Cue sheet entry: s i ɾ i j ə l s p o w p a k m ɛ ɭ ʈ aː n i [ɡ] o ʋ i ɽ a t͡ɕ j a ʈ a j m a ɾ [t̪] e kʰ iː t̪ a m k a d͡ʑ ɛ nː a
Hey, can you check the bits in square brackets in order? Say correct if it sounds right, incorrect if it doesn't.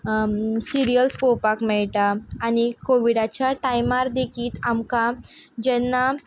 incorrect: k, incorrect: d̪

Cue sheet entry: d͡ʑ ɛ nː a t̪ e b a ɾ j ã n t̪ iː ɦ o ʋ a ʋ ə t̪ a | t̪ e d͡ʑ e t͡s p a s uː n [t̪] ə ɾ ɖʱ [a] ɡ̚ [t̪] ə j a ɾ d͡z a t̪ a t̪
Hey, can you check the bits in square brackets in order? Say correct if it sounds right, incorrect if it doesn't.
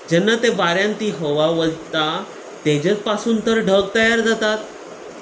correct, incorrect: ə, correct

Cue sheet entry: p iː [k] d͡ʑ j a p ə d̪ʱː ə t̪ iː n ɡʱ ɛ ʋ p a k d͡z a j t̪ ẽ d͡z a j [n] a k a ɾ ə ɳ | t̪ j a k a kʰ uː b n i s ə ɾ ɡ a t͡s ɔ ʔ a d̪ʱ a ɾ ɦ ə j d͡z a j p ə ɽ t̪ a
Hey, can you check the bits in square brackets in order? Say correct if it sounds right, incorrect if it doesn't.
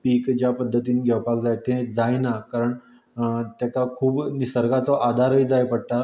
correct, correct

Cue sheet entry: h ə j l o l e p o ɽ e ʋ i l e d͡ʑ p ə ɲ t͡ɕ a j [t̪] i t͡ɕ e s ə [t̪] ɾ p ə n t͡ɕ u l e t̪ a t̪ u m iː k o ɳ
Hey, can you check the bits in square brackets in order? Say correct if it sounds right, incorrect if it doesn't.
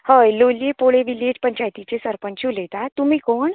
correct, incorrect: none

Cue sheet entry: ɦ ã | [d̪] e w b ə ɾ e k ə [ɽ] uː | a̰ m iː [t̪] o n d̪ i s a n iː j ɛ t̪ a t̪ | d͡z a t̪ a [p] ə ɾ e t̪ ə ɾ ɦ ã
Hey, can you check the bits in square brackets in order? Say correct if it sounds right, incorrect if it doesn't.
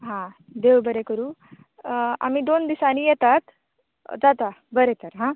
correct, incorrect: ɾ, incorrect: d̪, incorrect: b

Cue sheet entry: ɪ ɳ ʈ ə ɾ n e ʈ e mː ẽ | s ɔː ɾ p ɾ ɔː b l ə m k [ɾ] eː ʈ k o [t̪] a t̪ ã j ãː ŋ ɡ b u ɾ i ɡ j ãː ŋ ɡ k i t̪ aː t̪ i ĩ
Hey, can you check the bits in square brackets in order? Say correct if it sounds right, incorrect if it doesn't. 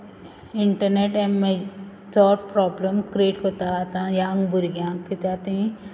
correct, correct

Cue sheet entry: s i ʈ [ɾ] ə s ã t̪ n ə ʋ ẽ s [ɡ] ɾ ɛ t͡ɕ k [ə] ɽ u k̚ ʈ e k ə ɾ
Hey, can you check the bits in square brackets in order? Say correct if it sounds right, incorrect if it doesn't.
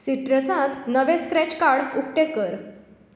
correct, incorrect: k, incorrect: a

